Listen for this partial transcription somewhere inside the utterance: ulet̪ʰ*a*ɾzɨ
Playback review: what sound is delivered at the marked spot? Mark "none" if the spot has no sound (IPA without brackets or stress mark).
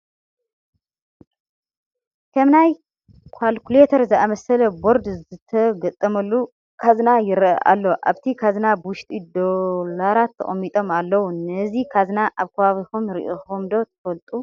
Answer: ɐ